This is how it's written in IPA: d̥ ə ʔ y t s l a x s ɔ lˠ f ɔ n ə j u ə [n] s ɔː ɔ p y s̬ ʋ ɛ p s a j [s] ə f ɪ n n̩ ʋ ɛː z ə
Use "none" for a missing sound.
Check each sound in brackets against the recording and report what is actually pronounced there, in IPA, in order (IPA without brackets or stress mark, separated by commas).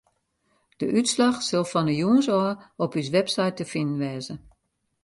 n, t